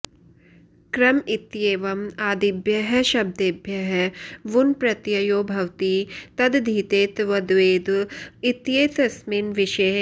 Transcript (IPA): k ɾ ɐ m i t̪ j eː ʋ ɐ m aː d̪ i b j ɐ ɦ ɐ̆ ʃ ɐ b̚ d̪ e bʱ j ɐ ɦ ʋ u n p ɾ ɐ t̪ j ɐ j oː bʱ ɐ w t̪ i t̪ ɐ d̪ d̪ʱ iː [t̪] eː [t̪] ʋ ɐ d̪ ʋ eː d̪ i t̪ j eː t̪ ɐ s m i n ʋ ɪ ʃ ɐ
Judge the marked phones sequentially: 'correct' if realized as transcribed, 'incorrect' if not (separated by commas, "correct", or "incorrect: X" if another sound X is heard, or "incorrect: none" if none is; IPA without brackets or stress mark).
correct, correct